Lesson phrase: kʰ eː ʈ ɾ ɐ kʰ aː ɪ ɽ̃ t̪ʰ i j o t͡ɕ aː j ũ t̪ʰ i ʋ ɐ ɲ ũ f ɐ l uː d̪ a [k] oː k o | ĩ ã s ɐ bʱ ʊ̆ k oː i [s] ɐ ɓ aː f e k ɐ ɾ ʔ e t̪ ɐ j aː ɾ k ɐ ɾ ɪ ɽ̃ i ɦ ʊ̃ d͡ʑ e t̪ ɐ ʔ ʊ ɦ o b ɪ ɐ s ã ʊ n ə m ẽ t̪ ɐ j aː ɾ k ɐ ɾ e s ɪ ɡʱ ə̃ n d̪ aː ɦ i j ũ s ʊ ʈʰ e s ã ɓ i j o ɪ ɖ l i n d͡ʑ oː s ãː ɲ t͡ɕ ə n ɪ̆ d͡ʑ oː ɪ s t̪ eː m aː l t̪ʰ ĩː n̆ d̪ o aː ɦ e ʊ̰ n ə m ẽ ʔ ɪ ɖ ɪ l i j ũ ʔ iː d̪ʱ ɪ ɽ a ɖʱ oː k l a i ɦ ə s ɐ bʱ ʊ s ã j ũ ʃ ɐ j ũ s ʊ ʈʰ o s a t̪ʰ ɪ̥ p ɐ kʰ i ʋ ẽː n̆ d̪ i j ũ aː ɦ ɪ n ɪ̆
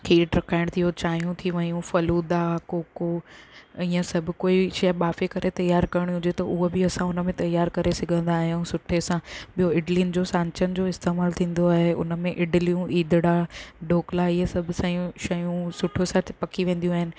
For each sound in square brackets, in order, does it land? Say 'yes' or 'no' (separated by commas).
yes, no